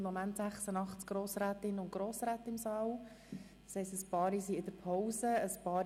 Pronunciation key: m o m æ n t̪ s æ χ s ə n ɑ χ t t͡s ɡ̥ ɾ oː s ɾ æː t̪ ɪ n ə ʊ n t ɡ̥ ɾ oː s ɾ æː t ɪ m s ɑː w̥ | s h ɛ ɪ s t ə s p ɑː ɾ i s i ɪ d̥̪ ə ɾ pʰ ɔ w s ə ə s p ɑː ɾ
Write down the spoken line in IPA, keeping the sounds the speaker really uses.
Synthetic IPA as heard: m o m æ n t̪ s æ χ s ə n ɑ χ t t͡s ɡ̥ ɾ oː s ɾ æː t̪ ɪ n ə ʊ n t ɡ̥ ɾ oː s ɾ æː t ɪ m s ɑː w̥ | s h ɛ ɪ s t ə s p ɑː ɾ i s i ɪ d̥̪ ə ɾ pʰ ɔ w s ə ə s p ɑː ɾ